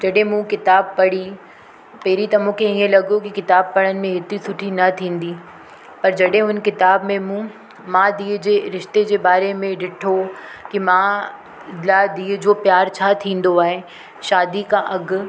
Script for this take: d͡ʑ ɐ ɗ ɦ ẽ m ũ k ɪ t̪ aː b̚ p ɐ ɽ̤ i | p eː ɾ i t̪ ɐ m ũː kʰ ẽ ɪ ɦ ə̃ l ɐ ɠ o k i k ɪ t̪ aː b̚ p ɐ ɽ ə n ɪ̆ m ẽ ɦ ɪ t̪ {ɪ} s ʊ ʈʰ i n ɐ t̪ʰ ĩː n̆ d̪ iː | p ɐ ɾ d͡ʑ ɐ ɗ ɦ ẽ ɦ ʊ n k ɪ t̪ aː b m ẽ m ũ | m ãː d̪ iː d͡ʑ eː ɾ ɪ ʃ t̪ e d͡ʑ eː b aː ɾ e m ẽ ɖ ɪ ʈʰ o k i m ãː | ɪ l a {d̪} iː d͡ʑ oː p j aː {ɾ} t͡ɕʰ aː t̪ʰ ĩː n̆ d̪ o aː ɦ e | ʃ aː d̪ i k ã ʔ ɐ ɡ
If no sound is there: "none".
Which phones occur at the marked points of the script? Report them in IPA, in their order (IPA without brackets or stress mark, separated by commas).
i, d̪, ɾ